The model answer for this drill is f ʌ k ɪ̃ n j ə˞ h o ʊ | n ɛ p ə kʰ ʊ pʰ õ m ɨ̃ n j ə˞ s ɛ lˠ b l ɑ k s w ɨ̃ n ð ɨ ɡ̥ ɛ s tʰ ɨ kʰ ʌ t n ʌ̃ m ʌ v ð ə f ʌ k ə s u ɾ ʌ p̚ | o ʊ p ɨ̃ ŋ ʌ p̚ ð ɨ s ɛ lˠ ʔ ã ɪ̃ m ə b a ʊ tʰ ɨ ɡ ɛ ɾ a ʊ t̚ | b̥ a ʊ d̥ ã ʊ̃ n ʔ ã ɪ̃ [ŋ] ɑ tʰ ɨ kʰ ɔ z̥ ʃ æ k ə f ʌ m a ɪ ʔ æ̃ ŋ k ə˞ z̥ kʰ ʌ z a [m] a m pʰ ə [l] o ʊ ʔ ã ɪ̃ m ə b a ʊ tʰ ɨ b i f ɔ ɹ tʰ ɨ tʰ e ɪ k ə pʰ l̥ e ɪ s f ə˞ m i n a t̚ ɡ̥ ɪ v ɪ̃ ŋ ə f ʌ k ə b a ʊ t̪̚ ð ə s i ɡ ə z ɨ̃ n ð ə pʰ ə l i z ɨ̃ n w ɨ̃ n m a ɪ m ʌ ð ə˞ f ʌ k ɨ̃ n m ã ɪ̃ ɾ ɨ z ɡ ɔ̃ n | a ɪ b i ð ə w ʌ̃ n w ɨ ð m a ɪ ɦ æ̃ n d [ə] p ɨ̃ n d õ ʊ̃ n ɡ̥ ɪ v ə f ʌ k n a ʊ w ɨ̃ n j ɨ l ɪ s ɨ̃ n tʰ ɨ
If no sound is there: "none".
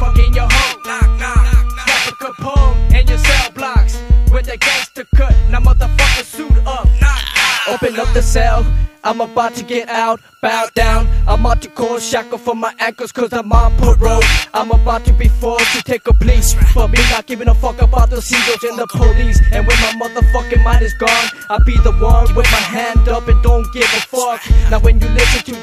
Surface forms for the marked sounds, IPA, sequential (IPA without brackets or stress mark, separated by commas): m, m, ɹ, ʌ